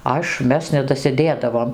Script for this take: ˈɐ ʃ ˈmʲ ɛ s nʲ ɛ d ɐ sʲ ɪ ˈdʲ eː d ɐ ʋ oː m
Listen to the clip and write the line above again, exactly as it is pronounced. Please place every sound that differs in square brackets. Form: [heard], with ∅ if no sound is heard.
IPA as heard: ˈɐ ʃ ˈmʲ ɛ s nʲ ɛ d ɐ sʲ ɪ ˈdʲ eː d ɐ ʋ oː m